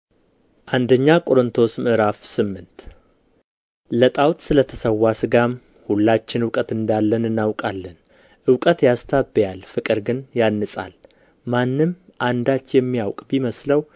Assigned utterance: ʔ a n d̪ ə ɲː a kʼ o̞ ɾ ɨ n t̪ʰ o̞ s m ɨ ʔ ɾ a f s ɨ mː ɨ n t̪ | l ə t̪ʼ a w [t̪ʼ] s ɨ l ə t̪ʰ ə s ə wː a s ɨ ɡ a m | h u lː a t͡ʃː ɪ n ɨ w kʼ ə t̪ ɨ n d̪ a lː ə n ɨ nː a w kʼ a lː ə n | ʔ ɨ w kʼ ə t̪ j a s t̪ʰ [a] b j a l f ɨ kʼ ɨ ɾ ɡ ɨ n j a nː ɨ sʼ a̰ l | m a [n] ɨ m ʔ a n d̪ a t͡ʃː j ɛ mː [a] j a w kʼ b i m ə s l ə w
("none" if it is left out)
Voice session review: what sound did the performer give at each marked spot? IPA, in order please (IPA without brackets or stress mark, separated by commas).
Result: t̪, a, nː, i